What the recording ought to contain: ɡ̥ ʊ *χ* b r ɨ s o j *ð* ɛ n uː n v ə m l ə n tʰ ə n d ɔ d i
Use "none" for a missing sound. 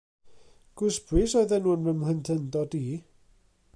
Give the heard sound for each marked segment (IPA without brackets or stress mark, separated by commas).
s, ð